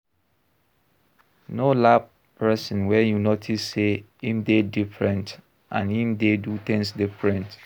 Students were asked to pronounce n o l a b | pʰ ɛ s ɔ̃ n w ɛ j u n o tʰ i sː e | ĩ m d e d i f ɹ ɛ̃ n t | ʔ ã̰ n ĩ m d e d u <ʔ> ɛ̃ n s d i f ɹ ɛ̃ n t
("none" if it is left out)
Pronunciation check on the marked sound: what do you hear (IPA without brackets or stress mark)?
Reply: t